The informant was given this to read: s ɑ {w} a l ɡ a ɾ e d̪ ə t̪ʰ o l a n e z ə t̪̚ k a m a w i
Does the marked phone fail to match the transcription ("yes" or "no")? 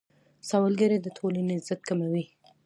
no